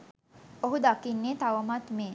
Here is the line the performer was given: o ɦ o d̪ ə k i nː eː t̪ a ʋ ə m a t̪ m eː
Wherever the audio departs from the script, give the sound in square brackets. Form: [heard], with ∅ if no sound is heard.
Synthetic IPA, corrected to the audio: o ɦ [u] d̪ [a] k i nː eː t̪ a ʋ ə m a t̪ m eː